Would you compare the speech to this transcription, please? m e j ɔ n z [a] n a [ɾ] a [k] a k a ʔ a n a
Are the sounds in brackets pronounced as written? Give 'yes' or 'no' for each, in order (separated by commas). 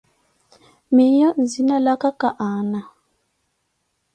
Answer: no, no, yes